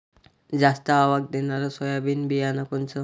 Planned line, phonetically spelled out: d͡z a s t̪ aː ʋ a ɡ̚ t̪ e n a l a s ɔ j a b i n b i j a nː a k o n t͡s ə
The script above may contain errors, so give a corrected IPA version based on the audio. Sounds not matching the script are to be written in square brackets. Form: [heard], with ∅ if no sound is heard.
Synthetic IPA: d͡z a s t̪ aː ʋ a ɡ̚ [d̪] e n a [ɾ] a s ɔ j a b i n b i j a [n] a k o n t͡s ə